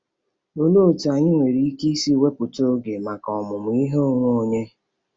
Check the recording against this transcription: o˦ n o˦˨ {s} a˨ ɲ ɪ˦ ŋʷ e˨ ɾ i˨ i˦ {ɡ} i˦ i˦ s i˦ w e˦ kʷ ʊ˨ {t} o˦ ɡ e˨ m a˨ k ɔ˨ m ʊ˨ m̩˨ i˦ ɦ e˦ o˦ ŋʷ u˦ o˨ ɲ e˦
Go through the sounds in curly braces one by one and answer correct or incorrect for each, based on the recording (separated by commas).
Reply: incorrect, incorrect, correct